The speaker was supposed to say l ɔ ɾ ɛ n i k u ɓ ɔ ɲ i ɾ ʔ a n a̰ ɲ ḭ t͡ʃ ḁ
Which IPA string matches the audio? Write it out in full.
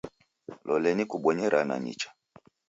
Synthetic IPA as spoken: l ɔ l ɛ n i k u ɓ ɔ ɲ ɛ ɾ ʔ a n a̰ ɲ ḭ t͡ʃ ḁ